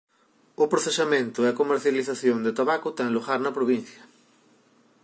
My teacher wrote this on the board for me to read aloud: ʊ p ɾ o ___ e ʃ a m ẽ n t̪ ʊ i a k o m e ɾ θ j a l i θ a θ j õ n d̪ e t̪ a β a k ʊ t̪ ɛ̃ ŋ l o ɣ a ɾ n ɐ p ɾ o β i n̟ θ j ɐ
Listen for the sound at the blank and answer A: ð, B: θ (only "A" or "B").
B